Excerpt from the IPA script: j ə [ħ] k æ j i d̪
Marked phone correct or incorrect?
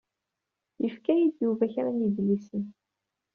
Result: incorrect